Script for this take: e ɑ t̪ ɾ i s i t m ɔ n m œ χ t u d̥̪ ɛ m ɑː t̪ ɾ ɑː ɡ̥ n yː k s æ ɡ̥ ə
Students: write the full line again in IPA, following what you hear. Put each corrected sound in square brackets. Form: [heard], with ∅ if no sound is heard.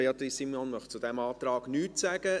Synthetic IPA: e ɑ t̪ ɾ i s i [∅] m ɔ n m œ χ [t͡s] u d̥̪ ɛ m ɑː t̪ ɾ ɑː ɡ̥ n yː [t] s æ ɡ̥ ə